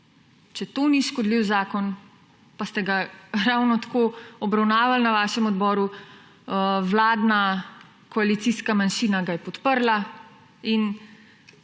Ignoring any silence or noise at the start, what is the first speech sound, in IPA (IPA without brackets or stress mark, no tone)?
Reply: t͡ʃ